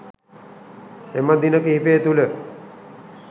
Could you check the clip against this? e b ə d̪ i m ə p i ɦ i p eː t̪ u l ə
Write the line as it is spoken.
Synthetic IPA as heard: e m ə d̪ i n ə k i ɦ i p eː t̪ u l ə